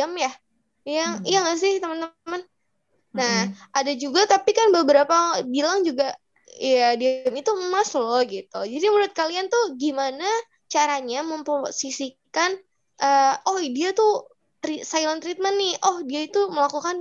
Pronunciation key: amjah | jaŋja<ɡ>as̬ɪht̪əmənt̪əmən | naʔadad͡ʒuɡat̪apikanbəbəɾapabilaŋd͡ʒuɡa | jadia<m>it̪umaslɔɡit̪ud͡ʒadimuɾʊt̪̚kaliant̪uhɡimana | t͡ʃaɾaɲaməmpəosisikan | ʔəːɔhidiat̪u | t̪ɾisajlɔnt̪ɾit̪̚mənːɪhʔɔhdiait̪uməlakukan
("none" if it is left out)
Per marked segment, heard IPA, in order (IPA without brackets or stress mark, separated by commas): ŋ, m